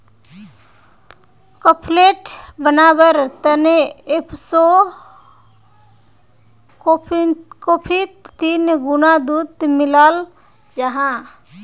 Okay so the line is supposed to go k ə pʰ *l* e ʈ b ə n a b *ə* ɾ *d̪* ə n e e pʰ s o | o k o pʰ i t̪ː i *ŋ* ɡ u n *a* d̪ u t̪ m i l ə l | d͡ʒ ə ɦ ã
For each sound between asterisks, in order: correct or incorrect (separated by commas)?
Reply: correct, correct, incorrect, incorrect, correct